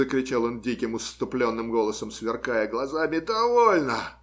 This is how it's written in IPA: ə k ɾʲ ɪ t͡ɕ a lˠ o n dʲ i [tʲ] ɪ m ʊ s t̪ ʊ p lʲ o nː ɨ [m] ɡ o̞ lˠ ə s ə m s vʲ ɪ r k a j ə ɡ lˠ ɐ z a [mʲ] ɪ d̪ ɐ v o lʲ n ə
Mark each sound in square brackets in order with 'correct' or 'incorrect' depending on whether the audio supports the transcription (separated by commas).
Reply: incorrect, correct, correct